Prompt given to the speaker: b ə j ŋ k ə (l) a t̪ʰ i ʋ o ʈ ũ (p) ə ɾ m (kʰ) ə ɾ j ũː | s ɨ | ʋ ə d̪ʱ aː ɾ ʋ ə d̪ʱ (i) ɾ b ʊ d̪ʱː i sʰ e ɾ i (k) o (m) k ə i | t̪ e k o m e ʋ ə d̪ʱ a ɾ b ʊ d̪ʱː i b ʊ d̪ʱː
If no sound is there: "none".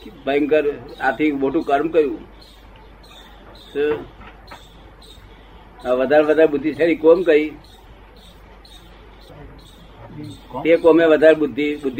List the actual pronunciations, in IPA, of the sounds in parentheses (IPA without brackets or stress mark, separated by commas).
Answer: ɾ, k, k, a, k, m